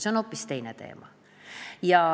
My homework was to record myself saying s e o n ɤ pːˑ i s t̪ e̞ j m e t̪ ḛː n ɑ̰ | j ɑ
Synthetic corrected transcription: s e o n o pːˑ i s t̪ e̞ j n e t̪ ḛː m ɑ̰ | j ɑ